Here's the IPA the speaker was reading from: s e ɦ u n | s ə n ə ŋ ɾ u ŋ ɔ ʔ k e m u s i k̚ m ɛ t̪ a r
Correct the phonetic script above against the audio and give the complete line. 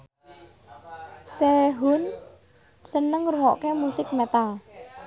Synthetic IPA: s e ɦ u n | s ə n ə ŋ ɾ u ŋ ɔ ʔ k e m u s ɪ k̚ m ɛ t̪ a l